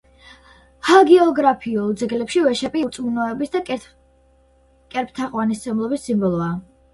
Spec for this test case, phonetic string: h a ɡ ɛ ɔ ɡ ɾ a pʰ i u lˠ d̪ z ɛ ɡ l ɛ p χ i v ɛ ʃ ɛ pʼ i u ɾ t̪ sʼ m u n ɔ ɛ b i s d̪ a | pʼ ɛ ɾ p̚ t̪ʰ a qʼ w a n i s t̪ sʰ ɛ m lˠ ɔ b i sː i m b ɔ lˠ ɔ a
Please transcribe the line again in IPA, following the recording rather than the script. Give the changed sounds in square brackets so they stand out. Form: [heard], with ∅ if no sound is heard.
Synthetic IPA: h a ɡ ɛ ɔ ɡ ɾ a pʰ i u lˠ d̪ z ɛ ɡ l ɛ p [ʃ] i v ɛ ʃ ɛ pʼ i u ɾ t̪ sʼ m u n ɔ ɛ b i s d̪ a | [kʼ] ɛ ɾ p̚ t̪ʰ a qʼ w a n i s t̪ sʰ ɛ m lˠ ɔ b i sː i m b ɔ lˠ ɔ a